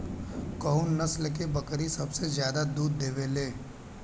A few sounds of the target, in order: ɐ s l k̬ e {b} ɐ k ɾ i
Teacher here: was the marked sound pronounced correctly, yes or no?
yes